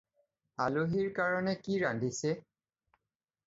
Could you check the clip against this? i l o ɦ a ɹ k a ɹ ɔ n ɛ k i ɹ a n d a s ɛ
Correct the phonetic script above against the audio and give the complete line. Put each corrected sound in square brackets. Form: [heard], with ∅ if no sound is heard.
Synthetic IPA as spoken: [a] l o ɦ [i] ɹ k a ɹ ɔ n ɛ k i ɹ a n d [i] s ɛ